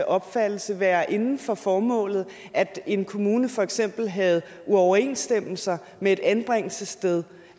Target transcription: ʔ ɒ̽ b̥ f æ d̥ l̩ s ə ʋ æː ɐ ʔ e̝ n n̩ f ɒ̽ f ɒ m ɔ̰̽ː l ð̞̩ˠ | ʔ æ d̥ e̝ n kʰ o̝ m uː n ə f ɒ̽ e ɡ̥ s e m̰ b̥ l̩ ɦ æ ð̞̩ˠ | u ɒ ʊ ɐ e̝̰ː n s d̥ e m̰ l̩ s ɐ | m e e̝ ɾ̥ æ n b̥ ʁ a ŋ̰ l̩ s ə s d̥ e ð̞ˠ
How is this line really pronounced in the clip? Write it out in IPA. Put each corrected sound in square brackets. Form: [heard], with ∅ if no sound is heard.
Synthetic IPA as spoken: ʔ ɒ̽ b̥ f æ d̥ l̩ s ə ʋ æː ɐ ʔ e̝ n n̩ f ɒ̽ f [ɒː] m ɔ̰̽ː l ð̞̩ˠ | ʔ æ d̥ e̝ n kʰ o̝ m uː n ə f ɒ̽ e ɡ̥ s e m̰ b̥ l̩ ɦ æ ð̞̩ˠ | u ɒ ʊ ɐ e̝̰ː n s d̥ e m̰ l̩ s ɐ | m e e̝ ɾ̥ æ n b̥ ʁ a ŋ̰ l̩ s ə s d̥ e ð̞ˠ